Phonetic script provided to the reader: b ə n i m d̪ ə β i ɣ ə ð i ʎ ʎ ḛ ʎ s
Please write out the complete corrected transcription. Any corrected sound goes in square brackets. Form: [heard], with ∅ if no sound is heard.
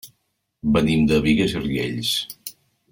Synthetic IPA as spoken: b ə n i m d̪ ə β i ɣ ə [z] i [r] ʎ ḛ ʎ s

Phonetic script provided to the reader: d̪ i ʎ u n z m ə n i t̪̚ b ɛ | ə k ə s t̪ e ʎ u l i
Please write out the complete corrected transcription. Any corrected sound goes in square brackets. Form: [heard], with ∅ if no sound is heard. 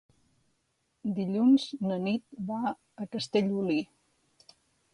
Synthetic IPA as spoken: d̪ i ʎ u n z [n] ə n i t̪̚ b [a] | ə k ə s t̪ e ʎ u l i

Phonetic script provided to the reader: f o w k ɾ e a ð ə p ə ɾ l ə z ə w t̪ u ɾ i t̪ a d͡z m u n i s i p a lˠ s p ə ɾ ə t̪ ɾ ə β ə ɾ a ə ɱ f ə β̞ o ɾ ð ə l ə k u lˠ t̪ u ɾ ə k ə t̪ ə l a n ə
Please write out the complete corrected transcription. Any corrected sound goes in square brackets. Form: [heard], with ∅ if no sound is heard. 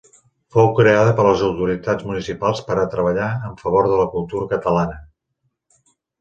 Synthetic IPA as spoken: f o w k ɾ e a ð ə p ə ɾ l ə z ə w t̪ u ɾ i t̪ a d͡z m u n i s i p a lˠ s p ə ɾ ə t̪ ɾ ə β ə [ʎ] a ə ɱ f ə β̞ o ɾ ð ə l ə k u lˠ t̪ u ɾ ə k ə t̪ ə l a n ə

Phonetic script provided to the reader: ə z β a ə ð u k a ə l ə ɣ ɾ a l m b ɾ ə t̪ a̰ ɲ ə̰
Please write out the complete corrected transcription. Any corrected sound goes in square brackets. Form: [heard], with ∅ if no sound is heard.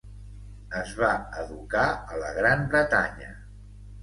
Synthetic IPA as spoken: ə z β a ə ð u k a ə l ə ɣ ɾ a [∅] m b ɾ ə t̪ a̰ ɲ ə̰

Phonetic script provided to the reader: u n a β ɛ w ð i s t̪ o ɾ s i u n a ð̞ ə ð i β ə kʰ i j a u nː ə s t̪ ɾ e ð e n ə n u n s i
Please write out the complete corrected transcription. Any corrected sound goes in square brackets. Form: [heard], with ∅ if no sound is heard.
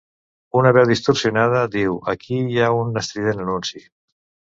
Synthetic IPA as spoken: u n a β ɛ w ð i s t̪ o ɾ s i u n a ð̞ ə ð i [w] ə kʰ i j a u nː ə s t̪ ɾ [i] ð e n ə n u n s i

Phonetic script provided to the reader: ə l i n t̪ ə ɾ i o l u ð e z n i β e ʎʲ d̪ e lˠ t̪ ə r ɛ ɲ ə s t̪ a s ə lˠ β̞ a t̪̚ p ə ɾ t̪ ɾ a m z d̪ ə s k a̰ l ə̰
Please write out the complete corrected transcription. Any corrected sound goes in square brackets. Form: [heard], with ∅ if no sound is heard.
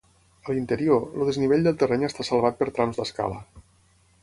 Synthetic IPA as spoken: ə l i n t̪ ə ɾ i o l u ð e z n i β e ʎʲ d̪ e lˠ t̪ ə r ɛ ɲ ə s t̪ a s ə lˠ β̞ a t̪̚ p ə ɾ t̪ ɾ a m z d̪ ə s k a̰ l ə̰

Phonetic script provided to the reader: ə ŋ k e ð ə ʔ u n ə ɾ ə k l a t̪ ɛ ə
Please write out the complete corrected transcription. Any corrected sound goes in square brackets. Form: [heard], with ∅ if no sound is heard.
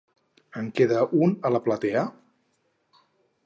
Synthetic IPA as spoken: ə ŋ k e ð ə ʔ u n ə [l] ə [p] l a t̪ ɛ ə

